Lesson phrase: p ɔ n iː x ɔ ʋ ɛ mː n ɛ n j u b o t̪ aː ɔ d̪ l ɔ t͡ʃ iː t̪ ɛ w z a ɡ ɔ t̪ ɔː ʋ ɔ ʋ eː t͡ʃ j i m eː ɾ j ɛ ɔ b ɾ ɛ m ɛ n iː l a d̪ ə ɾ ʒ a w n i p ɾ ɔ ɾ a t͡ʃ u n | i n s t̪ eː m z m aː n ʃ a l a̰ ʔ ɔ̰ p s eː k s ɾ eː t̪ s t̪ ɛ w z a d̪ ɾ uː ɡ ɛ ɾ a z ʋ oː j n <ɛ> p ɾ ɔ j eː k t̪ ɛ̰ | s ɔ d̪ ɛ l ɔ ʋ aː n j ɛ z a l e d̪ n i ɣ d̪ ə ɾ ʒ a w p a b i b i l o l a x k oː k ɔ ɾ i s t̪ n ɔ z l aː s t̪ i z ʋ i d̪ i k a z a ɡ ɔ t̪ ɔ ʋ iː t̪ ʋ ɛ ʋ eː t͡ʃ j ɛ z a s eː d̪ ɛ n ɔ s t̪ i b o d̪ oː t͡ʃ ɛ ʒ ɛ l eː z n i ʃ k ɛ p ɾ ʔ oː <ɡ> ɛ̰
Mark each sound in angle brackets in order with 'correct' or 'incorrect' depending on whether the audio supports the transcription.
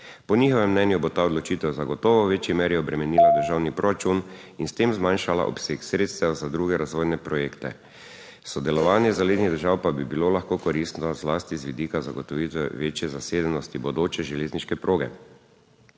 correct, correct

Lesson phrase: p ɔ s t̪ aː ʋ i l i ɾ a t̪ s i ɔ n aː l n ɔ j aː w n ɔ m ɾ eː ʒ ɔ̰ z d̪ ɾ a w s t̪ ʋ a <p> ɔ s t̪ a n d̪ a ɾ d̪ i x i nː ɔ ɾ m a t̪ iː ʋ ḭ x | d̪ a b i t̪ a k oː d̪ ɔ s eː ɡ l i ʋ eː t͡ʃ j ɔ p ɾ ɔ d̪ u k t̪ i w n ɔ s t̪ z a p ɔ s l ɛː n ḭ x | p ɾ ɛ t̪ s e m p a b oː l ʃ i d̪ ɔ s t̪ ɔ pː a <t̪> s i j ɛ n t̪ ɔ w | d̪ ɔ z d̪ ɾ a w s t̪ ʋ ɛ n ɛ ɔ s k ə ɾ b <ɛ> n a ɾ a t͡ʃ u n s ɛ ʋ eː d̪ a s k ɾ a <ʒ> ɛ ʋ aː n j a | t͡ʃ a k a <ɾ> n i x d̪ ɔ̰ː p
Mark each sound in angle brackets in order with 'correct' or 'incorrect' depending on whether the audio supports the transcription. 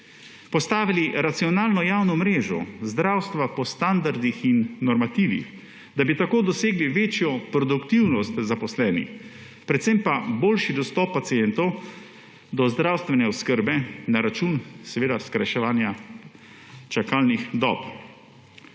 correct, correct, correct, incorrect: ʃ, incorrect: l

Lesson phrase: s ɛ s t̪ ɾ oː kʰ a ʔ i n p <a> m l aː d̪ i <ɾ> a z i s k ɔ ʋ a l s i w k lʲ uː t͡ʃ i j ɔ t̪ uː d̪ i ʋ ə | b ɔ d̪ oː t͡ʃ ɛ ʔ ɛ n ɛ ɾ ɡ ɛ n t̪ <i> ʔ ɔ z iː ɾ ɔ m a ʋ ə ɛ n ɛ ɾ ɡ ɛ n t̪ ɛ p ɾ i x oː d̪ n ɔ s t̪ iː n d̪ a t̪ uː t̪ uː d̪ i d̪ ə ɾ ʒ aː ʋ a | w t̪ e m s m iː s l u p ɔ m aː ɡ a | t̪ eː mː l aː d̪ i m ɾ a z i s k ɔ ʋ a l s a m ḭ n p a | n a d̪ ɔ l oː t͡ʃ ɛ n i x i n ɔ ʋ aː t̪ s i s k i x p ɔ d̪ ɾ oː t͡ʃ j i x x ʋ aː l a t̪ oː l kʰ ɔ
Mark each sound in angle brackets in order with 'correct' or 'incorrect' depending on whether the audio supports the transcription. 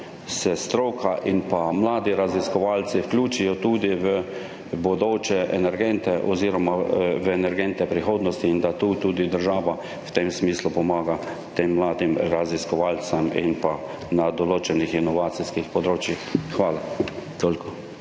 correct, correct, incorrect: ɛ

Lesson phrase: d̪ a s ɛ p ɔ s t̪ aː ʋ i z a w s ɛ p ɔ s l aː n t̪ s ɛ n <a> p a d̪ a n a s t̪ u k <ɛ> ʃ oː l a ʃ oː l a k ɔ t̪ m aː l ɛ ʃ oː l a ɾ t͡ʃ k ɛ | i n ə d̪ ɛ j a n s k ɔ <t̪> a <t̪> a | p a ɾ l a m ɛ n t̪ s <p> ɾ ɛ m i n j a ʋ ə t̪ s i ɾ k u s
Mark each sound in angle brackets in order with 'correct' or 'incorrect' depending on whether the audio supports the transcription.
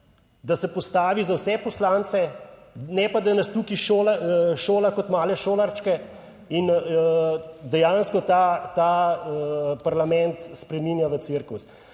incorrect: ɛ, incorrect: i, correct, correct, correct

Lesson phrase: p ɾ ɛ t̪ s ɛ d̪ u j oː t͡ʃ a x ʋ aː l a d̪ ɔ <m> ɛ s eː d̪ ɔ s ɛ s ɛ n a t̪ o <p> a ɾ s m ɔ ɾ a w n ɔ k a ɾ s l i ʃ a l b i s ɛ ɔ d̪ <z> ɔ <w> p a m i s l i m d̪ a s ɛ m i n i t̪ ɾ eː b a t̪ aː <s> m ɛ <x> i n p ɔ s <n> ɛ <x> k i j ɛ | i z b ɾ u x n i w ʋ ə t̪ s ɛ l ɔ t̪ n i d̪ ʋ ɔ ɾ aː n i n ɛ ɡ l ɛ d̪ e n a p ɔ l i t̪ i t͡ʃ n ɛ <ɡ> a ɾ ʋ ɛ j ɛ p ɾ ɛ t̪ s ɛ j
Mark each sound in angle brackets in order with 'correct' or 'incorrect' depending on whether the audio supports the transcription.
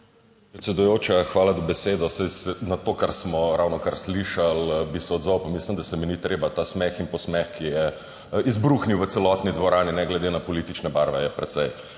incorrect: b, incorrect: k, correct, correct, correct, correct, incorrect: m, correct, incorrect: b

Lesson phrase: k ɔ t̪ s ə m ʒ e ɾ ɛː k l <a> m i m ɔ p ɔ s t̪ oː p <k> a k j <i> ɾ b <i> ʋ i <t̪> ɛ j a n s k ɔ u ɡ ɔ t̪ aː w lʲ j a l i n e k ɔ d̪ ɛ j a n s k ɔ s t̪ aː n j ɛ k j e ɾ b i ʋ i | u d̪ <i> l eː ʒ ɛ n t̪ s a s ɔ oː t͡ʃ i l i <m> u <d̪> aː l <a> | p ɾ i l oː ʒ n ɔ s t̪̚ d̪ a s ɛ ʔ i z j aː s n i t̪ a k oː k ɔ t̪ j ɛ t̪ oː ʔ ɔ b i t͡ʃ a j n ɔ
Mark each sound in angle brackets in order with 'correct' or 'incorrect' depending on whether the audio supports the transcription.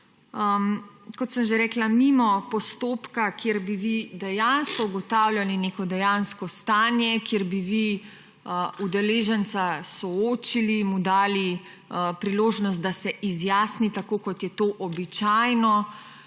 correct, correct, incorrect: e, correct, incorrect: d̪, incorrect: ɛ, correct, correct, incorrect: i

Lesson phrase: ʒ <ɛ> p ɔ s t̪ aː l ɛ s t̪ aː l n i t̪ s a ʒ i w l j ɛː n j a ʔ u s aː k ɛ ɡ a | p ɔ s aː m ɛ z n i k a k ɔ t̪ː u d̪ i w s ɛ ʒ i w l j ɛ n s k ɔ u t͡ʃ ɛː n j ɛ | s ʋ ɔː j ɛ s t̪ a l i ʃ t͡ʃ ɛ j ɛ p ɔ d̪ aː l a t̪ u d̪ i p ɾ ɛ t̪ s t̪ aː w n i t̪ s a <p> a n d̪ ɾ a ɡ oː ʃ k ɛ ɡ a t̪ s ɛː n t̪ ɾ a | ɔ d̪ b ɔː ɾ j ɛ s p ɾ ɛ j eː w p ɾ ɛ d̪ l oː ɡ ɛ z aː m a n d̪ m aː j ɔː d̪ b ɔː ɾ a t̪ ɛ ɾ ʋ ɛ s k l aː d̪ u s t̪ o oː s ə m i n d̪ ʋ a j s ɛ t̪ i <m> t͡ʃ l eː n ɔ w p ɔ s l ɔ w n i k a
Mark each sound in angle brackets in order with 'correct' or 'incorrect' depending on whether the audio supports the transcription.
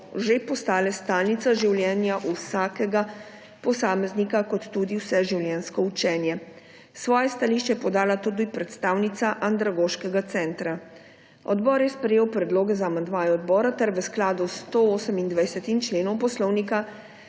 incorrect: e, incorrect: ʔ, incorrect: n

